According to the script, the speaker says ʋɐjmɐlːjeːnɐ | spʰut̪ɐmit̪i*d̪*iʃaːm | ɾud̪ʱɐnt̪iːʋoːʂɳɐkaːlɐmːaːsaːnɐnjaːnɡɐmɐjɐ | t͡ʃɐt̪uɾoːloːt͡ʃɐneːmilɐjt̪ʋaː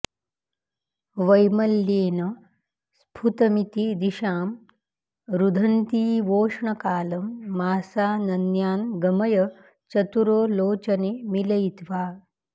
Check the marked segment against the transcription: correct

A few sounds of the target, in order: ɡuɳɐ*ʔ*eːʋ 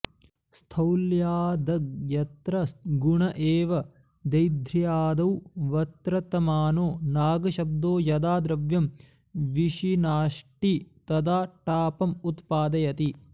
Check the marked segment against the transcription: correct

